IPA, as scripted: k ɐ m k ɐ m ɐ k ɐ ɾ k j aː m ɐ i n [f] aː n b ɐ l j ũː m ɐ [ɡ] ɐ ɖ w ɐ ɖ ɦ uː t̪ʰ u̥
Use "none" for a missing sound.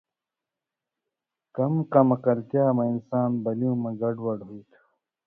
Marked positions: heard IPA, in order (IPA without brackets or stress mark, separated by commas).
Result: s, ɡ